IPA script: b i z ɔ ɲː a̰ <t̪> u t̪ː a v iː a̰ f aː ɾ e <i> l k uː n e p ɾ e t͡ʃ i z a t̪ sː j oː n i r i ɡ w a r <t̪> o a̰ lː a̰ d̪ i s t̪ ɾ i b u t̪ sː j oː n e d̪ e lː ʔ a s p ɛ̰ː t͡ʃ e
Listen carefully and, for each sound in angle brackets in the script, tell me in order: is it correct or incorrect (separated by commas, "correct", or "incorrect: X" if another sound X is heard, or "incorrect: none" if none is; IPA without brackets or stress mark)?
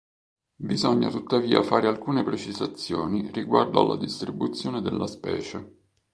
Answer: correct, incorrect: a, incorrect: d̪